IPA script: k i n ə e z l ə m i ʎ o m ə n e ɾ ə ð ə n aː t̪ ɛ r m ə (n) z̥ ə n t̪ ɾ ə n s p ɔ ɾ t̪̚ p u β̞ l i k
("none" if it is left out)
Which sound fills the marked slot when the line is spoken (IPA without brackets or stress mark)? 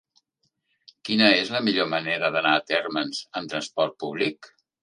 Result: n